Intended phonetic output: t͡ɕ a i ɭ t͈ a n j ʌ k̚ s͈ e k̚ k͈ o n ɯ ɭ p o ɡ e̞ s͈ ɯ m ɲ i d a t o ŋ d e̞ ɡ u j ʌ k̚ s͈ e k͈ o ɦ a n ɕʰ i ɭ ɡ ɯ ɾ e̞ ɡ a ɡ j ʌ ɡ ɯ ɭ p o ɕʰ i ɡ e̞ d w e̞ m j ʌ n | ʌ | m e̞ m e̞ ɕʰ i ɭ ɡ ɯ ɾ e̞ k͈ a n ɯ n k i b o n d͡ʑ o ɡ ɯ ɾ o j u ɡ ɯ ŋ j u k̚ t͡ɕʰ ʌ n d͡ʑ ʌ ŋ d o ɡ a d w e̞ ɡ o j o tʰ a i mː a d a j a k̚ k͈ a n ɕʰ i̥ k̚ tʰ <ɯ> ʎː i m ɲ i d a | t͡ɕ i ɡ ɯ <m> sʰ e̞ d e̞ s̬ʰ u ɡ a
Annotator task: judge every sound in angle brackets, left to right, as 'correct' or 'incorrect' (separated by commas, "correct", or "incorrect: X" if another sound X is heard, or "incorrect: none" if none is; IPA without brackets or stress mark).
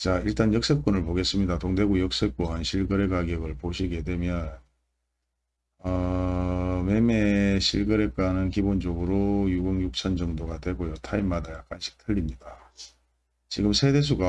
correct, correct